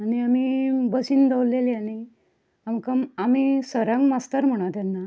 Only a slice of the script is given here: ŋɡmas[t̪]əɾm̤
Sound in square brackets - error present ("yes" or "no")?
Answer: no